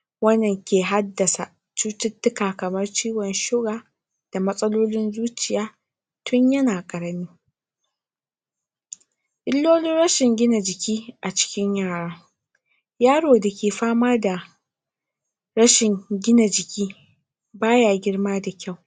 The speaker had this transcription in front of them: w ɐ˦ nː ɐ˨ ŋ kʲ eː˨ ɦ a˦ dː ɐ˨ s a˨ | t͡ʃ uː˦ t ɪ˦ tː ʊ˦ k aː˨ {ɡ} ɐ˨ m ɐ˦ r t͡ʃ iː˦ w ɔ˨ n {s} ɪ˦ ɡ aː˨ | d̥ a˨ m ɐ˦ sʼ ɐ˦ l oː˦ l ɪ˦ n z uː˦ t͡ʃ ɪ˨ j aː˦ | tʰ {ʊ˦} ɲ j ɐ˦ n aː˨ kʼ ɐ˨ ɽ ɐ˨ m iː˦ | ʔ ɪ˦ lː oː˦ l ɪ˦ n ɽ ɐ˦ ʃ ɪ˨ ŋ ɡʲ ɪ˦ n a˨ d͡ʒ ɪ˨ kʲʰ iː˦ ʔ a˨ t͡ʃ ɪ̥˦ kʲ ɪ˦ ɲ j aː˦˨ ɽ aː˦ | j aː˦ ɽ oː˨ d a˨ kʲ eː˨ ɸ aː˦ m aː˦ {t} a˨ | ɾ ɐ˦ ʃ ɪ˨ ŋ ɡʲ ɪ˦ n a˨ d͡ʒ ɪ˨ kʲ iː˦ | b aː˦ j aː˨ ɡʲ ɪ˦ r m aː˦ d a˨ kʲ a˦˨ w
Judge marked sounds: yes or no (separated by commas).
no, no, yes, no